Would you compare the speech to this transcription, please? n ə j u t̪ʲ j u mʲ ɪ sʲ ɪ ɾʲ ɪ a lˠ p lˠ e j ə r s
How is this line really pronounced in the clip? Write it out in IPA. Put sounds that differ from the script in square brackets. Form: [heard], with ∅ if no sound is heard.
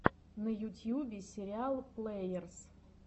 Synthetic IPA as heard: n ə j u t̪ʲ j u [bʲ] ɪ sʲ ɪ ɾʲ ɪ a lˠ p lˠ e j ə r s